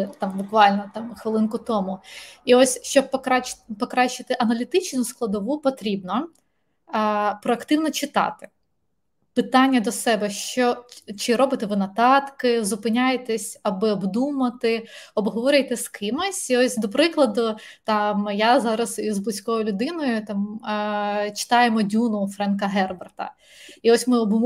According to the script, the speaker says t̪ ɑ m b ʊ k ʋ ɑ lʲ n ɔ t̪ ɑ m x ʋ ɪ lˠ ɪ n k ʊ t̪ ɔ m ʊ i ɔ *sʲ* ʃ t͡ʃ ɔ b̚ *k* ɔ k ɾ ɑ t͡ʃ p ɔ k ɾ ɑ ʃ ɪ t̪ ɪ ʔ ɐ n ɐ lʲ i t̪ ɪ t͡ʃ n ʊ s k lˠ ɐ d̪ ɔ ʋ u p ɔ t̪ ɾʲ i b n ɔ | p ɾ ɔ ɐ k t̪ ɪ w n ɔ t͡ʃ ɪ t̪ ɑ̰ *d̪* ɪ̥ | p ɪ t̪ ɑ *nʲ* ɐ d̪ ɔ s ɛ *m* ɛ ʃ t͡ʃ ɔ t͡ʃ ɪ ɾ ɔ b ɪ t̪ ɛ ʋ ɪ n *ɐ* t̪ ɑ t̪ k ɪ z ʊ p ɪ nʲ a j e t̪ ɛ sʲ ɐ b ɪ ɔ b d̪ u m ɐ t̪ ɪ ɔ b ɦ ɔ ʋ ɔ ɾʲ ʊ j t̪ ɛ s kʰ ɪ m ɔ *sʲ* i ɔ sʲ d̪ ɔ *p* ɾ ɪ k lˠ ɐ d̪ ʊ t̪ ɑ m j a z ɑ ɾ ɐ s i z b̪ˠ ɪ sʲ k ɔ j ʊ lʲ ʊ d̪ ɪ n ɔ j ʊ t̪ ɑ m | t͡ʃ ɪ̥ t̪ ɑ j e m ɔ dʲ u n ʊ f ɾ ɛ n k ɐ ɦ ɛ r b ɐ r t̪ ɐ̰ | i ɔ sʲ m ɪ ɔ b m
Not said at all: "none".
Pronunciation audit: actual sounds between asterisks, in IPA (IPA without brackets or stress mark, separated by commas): sʲ, p, t̪, nʲː, b, ɐ, sʲ, p